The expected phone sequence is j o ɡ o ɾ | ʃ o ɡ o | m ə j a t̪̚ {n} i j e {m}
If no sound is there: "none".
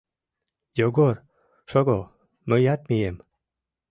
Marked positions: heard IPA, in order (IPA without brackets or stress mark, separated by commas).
m, m